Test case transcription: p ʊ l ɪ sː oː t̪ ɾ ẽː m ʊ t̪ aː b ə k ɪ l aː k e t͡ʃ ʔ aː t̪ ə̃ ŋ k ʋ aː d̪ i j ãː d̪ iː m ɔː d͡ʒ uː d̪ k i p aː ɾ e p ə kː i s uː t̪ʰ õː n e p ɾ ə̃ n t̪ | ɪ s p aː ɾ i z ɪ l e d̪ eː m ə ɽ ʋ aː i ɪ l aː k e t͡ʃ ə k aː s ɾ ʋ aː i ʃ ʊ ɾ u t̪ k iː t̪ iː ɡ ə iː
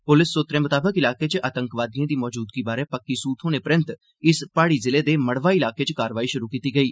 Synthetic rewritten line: p ʊ l ɪ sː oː t̪ ɾ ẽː m ʊ t̪ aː b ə k ɪ l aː k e t͡ʃ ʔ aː t̪ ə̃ ŋ k ʋ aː d̪ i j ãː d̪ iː m ɔː d͡ʒ uː d̪ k i b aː ɾ e p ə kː i s uː t̪ʰ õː n e p ɾ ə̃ n t̪ | ɪ s p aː ɽ i z ɪ l e d̪ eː m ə ɽ ʋ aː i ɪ l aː k e t͡ʃ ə k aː ɾ ʋ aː i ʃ ʊ ɾ u k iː t̪ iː ɡ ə iː